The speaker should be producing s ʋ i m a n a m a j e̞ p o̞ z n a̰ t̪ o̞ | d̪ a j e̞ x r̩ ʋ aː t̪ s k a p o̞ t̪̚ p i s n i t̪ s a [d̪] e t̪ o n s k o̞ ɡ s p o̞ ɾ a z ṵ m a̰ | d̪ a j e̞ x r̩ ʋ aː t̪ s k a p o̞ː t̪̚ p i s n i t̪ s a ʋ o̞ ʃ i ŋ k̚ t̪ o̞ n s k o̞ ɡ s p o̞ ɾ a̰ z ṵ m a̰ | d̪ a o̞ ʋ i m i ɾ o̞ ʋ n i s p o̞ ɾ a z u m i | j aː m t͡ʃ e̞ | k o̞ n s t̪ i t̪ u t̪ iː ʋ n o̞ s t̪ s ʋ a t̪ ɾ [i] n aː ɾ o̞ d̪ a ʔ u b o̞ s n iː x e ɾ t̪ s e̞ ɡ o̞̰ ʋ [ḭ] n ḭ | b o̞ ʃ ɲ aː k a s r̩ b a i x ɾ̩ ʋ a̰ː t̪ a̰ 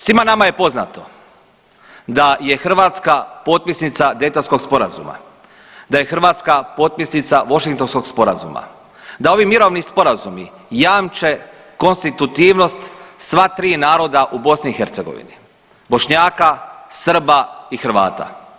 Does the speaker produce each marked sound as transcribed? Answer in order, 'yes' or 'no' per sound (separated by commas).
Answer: yes, no, yes